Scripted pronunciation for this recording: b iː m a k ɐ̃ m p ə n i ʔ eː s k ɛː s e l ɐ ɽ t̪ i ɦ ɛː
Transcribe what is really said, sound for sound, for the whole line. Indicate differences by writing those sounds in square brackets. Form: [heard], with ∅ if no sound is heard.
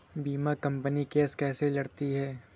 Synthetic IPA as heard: b iː m a k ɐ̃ m p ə n i [k] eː s k ɛː s e l ɐ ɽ t̪ i ɦ ɛː